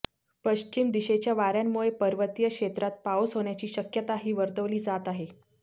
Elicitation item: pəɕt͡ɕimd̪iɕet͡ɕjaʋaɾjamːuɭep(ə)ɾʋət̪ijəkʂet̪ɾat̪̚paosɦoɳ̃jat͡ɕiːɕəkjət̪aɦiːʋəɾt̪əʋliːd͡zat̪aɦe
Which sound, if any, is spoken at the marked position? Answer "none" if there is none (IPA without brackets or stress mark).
ə